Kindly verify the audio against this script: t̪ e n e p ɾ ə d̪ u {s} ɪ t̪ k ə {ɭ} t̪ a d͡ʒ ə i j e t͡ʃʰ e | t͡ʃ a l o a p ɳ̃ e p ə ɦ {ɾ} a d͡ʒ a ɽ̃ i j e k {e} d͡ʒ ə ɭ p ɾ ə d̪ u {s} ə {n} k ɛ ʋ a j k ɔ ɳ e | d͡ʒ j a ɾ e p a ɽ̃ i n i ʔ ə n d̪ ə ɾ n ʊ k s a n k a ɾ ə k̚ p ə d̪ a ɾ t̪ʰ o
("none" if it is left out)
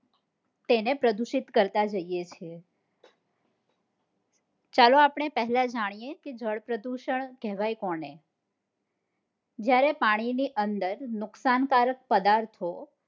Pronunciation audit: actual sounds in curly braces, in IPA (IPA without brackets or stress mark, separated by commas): ʃ, ɾ, l, e, ʃ, ɳ